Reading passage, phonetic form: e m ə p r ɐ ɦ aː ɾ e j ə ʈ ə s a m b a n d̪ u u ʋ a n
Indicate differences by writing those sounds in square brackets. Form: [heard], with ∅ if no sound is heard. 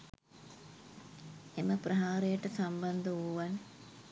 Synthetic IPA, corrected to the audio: e m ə p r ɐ ɦ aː ɾ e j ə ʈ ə s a m b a n d̪ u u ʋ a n